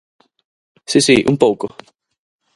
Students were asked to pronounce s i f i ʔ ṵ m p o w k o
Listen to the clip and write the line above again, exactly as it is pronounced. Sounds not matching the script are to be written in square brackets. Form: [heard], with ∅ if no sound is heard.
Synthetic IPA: s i [s] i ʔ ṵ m p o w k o